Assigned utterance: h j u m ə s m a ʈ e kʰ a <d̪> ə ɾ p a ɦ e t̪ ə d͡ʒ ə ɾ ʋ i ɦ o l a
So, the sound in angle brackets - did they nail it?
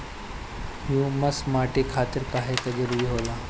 no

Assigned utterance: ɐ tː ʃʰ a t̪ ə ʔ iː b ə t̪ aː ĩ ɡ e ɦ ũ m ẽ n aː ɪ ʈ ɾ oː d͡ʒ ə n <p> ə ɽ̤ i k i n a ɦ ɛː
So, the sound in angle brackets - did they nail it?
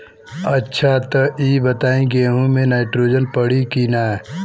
yes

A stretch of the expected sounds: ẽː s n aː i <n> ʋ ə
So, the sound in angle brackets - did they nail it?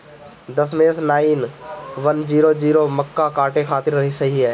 yes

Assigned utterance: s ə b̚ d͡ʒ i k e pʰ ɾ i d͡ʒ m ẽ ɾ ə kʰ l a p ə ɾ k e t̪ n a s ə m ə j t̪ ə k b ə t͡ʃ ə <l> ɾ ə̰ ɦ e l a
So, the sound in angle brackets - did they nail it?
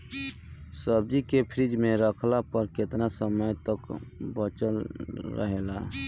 yes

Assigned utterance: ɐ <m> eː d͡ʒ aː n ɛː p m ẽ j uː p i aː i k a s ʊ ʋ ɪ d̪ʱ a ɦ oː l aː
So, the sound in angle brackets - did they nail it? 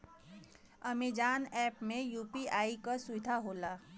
yes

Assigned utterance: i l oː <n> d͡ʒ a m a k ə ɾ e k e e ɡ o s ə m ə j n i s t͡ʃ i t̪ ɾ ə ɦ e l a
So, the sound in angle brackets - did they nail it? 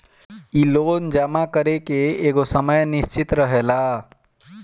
yes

